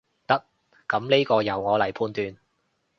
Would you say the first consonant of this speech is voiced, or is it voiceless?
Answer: voiceless